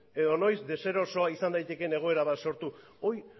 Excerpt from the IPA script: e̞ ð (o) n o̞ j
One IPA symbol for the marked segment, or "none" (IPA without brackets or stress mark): o